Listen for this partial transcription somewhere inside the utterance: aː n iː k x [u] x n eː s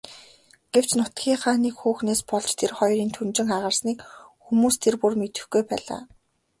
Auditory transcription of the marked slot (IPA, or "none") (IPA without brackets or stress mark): uː